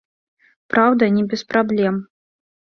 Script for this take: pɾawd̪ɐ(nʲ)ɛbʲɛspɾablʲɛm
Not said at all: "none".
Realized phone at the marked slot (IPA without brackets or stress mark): nʲ